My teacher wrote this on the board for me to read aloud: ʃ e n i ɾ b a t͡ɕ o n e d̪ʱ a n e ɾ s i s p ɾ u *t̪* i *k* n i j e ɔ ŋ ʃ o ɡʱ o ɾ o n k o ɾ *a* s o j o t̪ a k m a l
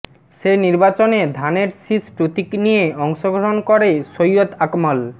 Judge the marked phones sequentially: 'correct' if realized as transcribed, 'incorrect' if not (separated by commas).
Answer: correct, correct, incorrect